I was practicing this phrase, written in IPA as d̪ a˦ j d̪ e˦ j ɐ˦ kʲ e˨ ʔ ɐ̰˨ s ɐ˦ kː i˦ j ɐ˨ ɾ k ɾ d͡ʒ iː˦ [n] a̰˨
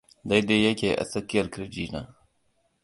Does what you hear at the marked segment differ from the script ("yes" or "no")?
no